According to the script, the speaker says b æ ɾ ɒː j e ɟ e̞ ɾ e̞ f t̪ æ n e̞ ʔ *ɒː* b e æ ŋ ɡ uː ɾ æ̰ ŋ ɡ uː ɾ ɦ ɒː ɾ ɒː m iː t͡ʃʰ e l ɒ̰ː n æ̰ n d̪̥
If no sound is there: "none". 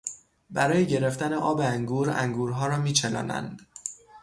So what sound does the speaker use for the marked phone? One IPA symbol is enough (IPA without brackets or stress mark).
ɒː